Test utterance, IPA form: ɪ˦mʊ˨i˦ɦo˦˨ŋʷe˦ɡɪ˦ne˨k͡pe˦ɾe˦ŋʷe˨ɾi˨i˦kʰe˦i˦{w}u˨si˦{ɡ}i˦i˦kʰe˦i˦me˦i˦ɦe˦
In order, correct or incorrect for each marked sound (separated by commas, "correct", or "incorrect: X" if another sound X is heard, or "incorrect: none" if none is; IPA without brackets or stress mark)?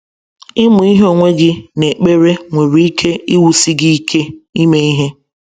correct, correct